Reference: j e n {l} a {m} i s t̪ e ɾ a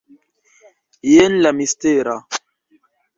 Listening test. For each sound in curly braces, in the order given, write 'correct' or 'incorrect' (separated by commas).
correct, correct